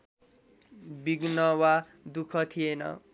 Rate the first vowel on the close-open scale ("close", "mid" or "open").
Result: close